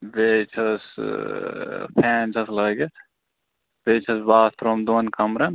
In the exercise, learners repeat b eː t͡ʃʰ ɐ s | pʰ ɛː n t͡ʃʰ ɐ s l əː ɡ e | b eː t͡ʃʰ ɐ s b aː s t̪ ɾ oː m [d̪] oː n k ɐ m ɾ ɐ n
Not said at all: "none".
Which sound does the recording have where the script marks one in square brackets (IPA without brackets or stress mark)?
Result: d̪